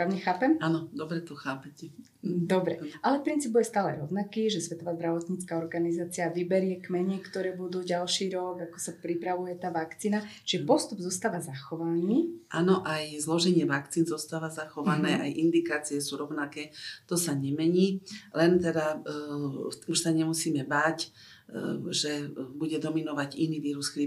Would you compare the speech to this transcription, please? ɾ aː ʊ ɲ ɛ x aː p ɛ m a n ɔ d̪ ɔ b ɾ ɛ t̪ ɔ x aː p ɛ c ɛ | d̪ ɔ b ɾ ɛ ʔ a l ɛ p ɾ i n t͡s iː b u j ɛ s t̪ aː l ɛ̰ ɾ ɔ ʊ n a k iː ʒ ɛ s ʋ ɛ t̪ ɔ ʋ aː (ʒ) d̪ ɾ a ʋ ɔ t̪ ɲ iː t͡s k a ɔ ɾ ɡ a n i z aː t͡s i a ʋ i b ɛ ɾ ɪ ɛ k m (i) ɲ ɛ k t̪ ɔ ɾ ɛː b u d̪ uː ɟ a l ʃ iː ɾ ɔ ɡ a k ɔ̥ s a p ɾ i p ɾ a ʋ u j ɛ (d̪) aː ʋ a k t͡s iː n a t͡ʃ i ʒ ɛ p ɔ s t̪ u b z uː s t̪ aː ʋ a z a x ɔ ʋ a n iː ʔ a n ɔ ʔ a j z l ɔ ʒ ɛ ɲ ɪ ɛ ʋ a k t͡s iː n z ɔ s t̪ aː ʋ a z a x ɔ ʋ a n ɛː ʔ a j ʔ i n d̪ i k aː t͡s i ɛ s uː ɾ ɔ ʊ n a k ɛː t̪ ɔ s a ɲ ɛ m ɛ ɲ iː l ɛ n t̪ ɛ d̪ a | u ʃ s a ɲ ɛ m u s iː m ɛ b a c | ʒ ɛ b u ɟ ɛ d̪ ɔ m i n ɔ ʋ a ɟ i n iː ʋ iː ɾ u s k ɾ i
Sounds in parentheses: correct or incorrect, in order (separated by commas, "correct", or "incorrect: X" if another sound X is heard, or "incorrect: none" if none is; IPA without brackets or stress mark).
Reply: incorrect: z, incorrect: ɛ, incorrect: t̪